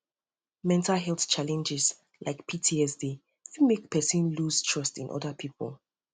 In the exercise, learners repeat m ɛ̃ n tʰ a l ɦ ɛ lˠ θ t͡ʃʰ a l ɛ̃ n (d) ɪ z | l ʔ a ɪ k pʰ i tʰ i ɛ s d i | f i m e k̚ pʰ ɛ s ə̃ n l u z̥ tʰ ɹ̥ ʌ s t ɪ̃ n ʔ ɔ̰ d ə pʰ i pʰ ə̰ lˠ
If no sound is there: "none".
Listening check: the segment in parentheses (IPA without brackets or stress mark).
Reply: d͡ʒ